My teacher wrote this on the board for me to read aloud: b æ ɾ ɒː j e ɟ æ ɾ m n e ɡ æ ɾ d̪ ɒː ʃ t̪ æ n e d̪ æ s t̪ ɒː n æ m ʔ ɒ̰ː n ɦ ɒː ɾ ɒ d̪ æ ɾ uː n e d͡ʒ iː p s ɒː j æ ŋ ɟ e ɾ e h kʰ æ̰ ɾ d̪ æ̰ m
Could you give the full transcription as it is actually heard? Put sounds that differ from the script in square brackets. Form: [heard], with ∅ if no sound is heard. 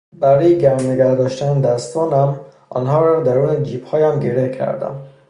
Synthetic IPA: b æ ɾ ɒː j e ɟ æ ɾ m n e ɡ æ ɾ d̪ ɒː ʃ t̪ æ n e d̪ æ s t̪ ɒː n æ m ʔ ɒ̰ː n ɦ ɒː ɾ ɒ d̪ æ ɾ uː n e d͡ʒ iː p [h] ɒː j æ [m] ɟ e ɾ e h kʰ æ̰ ɾ d̪ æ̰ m